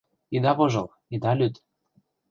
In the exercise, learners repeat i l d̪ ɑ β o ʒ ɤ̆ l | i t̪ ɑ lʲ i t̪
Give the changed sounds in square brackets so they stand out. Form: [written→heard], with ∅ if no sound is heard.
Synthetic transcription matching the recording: i [l→∅] d̪ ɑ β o ʒ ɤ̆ l | i [t̪→d̪] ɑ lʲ [i→y] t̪